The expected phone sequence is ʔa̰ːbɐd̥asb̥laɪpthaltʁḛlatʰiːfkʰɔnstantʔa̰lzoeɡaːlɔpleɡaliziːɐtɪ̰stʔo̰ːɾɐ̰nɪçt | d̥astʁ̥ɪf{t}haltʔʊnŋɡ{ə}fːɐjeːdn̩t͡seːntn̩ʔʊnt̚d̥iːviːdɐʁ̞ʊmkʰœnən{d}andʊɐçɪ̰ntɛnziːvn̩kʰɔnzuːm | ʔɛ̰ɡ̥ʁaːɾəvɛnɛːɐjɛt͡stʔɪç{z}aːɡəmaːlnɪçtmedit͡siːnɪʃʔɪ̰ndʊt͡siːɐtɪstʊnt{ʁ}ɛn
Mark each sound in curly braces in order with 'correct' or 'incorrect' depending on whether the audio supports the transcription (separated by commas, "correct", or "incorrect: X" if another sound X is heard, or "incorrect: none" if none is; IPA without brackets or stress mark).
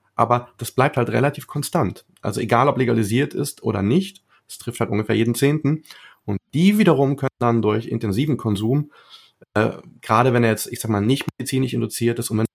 correct, correct, correct, correct, incorrect: v